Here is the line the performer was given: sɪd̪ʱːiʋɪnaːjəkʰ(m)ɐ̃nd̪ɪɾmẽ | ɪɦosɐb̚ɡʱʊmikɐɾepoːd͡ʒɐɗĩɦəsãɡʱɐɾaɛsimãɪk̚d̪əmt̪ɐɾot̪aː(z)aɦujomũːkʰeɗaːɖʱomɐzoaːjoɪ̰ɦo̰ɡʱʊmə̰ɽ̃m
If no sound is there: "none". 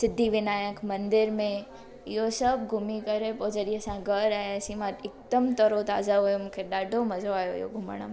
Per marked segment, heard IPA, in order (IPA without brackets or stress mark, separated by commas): m, z